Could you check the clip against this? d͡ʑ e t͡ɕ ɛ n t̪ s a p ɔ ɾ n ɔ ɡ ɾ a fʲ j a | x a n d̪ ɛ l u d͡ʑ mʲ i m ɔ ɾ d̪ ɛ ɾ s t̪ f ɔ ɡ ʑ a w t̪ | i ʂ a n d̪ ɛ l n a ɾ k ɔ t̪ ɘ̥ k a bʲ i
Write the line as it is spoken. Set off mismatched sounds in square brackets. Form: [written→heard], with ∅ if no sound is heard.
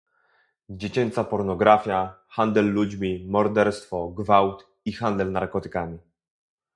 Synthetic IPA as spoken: d͡ʑ e t͡ɕ ɛ n t̪ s a p ɔ ɾ n ɔ ɡ ɾ a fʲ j a | x a n d̪ ɛ [l→lː] u d͡ʑ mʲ i m ɔ ɾ d̪ ɛ ɾ s t̪ f ɔ ɡ [ʑ→v] a w t̪ | i [ʂ→x] a n d̪ ɛ l n a ɾ k ɔ t̪ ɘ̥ k a [bʲ→mʲ] i